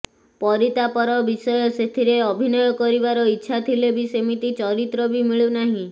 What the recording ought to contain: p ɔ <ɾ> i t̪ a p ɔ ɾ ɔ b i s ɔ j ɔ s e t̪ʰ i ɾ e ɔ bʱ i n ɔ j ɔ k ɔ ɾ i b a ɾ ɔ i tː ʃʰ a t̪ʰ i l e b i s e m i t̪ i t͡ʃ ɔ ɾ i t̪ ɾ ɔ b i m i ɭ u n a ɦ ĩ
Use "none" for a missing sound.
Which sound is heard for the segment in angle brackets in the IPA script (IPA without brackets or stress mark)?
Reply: ɾ